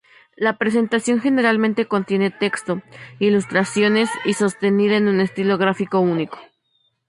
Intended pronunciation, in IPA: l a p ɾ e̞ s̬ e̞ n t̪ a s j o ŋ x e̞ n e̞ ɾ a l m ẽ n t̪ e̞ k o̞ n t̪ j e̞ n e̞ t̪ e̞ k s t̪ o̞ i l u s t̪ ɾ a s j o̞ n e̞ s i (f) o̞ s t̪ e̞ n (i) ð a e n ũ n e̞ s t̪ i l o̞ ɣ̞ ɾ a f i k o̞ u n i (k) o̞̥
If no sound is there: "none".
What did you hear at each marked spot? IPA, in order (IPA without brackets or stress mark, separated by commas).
s, i, k